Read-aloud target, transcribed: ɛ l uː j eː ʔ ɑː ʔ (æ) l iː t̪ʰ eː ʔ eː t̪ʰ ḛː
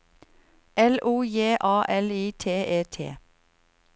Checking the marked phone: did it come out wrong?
yes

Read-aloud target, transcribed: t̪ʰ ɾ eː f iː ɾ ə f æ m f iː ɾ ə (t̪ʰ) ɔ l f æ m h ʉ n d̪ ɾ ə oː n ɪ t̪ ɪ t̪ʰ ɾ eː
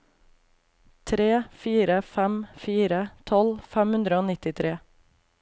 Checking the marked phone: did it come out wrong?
no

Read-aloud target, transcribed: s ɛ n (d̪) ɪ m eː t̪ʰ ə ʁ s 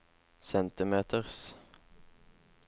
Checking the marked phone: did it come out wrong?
yes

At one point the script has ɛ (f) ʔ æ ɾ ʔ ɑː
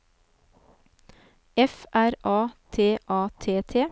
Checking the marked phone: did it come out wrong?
no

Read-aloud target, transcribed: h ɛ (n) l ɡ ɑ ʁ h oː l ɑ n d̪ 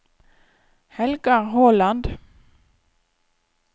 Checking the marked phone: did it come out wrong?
yes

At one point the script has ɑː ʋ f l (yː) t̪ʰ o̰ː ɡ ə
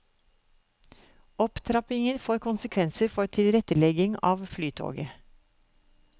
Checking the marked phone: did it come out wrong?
no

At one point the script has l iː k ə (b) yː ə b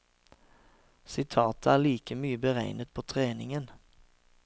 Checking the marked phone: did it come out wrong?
yes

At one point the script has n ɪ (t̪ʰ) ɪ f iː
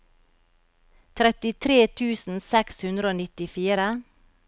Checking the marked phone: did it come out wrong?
yes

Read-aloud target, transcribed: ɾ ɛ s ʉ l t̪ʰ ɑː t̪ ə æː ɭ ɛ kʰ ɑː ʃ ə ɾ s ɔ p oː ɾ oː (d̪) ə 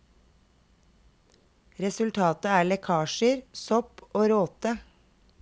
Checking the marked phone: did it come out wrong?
yes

